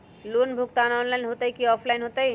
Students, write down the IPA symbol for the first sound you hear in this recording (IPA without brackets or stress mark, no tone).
l